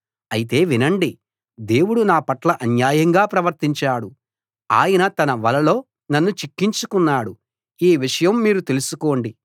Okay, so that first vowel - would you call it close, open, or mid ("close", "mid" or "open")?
open